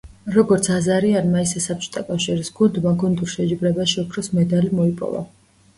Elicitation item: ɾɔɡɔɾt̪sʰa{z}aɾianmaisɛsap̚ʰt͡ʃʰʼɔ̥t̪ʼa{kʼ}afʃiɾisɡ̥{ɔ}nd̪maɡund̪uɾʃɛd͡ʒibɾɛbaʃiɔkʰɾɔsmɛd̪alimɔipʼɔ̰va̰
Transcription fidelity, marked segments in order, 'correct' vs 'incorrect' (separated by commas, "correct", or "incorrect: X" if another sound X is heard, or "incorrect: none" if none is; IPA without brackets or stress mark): correct, correct, incorrect: u